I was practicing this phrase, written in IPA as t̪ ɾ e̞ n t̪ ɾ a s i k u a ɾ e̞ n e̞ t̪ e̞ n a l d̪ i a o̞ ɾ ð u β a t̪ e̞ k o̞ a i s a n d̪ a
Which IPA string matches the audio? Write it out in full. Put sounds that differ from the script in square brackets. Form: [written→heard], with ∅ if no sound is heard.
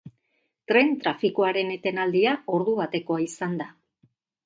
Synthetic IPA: t̪ ɾ e̞ n t̪ ɾ a [s→f] i k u a ɾ e̞ n e̞ t̪ e̞ n a l d̪ i a o̞ ɾ ð u β a t̪ e̞ k o̞ a i s a n d̪ a